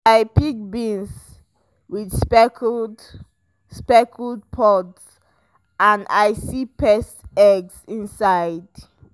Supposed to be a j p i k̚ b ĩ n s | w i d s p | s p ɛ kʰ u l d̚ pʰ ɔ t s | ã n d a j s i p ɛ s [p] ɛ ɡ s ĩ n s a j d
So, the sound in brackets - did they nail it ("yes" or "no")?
no